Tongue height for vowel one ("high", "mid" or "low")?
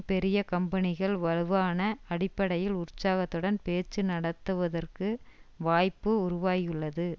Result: mid